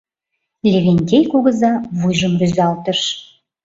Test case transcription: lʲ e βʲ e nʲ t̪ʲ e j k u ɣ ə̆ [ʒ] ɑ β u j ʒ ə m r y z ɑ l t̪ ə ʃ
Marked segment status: incorrect: z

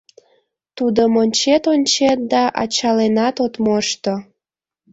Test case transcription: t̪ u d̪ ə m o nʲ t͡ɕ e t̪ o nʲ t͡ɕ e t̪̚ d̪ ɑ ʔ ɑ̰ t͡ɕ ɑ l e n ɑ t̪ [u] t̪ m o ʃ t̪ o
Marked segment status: incorrect: o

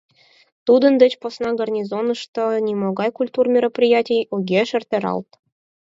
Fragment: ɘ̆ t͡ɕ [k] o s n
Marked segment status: incorrect: p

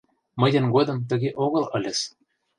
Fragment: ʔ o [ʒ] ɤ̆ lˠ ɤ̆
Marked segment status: incorrect: ɣ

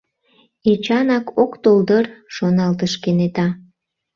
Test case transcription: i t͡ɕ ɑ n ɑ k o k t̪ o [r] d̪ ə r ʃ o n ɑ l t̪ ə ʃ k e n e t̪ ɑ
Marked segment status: incorrect: l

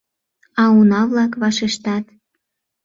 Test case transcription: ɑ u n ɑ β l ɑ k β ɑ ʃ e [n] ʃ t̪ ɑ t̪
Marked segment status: incorrect: none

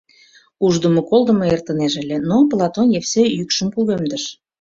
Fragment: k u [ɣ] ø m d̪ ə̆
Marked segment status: correct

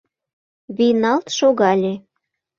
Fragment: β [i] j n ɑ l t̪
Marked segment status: correct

